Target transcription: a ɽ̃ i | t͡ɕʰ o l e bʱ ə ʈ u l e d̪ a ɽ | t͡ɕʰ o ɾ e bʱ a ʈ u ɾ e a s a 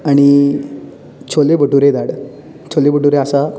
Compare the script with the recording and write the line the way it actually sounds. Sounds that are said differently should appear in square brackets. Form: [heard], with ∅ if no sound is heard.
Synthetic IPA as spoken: a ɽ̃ i | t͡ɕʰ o l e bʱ ə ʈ u [ɾ] e d̪ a ɽ | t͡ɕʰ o [l] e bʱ [ə] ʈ u ɾ e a s a